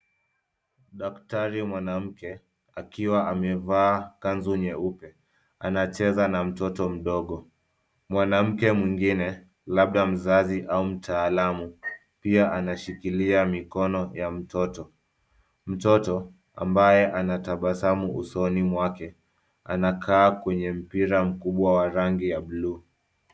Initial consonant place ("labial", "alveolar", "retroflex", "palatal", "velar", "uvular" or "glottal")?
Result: alveolar